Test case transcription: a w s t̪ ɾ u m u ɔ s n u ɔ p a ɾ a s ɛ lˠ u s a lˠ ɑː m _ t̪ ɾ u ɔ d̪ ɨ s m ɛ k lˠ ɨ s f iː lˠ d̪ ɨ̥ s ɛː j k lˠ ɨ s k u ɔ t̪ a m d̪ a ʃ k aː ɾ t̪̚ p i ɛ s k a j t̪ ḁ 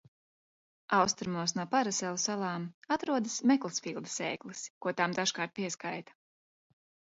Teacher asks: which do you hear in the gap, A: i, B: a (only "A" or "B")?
B